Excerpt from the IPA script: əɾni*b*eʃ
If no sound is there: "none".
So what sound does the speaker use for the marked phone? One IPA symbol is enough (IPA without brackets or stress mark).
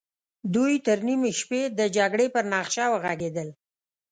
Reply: m